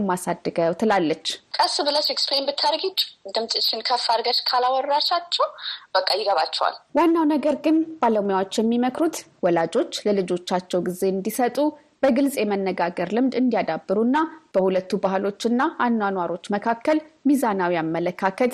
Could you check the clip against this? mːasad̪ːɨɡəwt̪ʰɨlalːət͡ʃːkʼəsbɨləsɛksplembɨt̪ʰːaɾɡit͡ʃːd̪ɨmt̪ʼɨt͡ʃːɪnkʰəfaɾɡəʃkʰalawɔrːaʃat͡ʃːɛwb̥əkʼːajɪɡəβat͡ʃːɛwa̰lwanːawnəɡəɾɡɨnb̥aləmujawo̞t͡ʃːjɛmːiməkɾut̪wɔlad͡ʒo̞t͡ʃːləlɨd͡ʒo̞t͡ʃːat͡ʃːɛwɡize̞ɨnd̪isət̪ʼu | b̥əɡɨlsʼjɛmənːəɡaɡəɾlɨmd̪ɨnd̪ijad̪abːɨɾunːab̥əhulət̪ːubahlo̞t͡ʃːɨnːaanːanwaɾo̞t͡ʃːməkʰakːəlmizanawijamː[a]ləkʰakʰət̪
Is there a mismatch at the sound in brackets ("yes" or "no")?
yes